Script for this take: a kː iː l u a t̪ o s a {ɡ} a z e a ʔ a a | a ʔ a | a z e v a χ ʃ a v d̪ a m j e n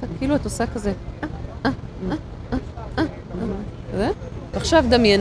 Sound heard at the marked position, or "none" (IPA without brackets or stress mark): k